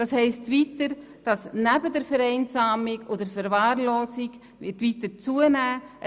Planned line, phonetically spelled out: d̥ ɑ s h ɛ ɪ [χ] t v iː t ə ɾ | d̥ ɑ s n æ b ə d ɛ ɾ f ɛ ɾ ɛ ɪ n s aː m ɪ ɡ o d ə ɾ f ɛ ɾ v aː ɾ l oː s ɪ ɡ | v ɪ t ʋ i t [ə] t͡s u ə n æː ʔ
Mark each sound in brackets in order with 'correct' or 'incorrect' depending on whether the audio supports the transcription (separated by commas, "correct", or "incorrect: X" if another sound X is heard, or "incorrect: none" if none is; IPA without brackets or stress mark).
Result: incorrect: s, correct